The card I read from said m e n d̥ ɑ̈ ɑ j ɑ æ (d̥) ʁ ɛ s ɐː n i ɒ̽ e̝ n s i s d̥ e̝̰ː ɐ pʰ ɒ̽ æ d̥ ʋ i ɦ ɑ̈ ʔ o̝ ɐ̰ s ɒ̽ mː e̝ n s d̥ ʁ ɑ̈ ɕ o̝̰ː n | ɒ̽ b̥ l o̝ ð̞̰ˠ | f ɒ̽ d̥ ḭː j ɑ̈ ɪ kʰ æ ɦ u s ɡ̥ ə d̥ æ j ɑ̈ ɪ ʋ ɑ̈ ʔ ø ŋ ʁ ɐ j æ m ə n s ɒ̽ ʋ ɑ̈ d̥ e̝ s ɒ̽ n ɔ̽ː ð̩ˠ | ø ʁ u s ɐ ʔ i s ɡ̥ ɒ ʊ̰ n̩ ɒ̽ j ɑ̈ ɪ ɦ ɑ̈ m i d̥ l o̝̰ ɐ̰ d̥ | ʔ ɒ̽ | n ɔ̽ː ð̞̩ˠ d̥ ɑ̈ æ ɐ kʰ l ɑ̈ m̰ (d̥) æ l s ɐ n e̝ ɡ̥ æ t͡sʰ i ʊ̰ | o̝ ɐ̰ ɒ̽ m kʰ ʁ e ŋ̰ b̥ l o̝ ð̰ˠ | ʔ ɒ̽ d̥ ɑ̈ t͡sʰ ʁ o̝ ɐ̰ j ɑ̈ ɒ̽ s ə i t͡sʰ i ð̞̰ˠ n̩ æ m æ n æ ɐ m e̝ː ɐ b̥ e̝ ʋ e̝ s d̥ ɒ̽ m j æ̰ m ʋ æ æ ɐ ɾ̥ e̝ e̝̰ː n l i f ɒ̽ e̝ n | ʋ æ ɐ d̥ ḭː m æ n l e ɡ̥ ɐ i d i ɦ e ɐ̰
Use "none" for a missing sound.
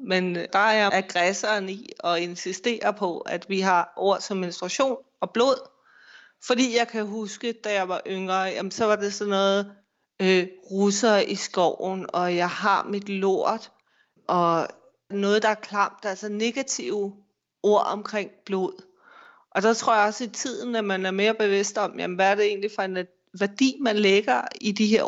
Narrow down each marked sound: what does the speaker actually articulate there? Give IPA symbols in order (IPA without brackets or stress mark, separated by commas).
ɡ̥, d̥